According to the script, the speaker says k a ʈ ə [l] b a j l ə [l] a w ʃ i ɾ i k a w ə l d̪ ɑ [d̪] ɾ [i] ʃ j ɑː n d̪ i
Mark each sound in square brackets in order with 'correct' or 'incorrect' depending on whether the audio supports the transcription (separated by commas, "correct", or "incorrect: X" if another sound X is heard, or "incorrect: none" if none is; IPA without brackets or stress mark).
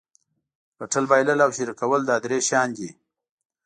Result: correct, correct, correct, incorrect: e